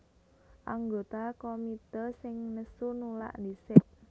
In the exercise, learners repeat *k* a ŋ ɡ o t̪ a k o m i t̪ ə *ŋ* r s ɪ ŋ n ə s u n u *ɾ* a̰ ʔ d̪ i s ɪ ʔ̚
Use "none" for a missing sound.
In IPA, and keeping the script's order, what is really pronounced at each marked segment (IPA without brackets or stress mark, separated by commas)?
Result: ʔ, none, l